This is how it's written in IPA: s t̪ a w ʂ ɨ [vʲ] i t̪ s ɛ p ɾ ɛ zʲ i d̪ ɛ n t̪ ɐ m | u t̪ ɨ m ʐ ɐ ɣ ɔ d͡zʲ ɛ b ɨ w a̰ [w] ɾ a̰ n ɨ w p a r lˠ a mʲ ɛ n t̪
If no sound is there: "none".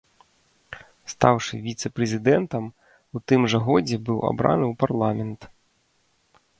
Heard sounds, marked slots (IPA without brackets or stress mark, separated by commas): vʲ, b